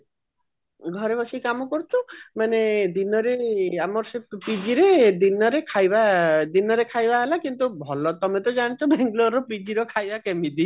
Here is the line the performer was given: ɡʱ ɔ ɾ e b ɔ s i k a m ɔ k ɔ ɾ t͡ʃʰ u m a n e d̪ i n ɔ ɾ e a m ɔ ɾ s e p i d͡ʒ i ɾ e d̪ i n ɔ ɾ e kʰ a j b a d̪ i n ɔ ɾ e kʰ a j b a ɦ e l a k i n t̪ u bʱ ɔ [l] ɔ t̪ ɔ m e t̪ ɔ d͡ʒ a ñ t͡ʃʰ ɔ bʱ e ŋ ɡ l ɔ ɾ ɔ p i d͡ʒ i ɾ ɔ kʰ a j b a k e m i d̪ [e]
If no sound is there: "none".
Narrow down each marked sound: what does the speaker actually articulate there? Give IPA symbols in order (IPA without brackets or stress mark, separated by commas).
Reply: l, i